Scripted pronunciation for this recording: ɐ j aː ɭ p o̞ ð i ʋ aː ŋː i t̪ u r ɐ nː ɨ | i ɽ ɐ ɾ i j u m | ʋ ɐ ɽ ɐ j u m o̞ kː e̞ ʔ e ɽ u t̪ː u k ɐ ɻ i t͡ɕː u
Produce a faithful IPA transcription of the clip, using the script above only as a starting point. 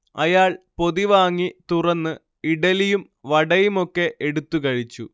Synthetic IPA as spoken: ɐ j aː ɭ p o̞ ð i ʋ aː ŋː i t̪ u r ɐ nː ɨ | i ɽ ɐ l i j u m | ʋ ɐ ɽ ɐ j u m o̞ kː e̞ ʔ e ɽ u t̪ː u k ɐ ɻ i t͡ɕː u